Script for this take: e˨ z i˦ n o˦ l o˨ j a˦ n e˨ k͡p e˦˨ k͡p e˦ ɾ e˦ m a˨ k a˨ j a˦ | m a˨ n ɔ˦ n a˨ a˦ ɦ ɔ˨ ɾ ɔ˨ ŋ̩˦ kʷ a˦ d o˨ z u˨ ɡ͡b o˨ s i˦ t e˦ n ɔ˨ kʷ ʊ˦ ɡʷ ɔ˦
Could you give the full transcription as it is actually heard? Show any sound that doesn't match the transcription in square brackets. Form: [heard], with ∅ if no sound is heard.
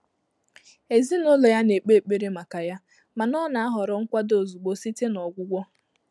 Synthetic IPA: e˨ z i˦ n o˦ l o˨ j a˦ n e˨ k͡p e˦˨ k͡p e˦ ɾ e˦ m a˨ k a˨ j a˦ | m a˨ n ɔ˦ n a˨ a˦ ɦ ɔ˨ ɾ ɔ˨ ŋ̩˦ kʷ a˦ d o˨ z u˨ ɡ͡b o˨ s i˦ t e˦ n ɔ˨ [ɡʷ] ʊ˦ ɡʷ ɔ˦